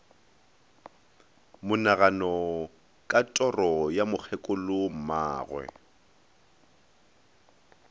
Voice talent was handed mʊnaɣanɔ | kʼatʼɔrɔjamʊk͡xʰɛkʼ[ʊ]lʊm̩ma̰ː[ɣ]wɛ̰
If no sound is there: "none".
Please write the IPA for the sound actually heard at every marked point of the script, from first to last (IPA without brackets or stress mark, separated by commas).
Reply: ʊ, ɣ